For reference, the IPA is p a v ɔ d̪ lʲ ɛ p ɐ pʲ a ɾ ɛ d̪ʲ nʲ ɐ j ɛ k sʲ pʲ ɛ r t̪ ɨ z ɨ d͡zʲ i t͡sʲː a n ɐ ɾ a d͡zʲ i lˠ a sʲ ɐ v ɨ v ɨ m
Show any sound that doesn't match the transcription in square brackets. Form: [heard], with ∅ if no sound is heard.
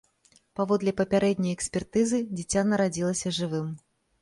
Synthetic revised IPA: p a v ɔ d̪ lʲ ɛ p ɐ pʲ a ɾ ɛ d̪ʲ nʲ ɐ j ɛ k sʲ pʲ ɛ r t̪ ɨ z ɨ d͡zʲ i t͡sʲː a n ɐ ɾ a d͡zʲ i lˠ [ɐ] sʲ ɐ [ʐ] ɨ v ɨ m